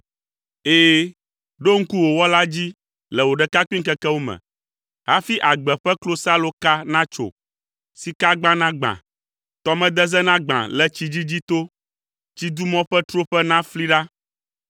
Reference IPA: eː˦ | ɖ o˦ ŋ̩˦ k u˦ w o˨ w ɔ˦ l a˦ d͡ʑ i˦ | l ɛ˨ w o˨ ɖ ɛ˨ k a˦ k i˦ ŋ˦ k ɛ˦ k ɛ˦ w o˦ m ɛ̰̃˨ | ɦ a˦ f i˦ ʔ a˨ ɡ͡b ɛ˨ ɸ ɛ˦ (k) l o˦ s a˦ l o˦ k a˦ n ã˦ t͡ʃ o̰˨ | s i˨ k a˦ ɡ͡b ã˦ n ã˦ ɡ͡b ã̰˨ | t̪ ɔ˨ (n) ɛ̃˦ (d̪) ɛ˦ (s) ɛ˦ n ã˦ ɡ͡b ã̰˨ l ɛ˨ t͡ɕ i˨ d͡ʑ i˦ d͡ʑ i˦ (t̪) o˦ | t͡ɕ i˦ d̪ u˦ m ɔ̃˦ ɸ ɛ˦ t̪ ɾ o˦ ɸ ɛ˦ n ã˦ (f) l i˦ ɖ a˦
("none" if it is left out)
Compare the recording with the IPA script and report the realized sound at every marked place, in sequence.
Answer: k, m, d̪, z, t̪, f

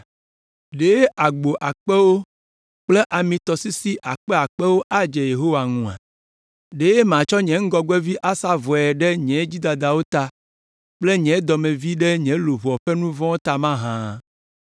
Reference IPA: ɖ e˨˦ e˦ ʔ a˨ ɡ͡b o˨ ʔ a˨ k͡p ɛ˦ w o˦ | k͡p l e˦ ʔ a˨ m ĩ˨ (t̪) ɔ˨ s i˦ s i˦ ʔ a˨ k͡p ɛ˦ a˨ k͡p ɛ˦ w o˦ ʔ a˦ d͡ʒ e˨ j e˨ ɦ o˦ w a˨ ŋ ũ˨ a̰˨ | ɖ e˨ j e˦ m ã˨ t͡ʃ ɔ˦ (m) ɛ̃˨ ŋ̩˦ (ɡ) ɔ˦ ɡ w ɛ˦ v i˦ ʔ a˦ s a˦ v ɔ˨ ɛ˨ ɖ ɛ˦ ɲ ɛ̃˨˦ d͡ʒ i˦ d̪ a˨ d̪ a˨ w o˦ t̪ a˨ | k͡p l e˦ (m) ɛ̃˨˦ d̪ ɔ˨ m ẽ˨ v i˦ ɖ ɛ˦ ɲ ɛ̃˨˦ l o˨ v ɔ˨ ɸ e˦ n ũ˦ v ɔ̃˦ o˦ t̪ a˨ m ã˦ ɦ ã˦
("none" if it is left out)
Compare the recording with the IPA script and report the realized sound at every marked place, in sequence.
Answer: t̪, ɲ, ɡ, ɲ

